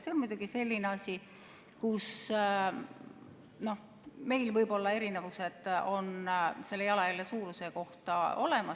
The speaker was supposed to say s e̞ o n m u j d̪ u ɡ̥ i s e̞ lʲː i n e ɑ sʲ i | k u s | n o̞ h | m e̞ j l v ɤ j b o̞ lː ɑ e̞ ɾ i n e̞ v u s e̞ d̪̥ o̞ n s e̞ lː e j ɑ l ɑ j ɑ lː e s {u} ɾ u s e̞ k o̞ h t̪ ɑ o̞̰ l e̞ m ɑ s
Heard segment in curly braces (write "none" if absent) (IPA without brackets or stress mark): uː